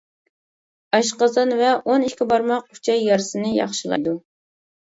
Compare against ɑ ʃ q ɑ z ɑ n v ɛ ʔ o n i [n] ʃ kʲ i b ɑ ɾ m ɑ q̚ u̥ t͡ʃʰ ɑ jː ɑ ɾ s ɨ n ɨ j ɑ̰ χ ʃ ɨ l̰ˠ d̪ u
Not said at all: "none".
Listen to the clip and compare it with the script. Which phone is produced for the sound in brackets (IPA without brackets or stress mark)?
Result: none